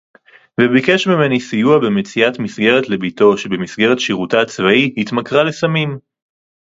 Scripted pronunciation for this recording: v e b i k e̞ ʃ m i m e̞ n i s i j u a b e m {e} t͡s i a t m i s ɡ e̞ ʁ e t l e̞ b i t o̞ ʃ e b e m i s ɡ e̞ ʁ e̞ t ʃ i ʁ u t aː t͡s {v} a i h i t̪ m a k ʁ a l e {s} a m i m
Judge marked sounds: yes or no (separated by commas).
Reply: yes, yes, yes